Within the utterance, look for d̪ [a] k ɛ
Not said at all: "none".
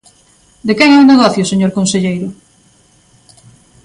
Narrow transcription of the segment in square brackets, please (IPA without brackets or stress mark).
e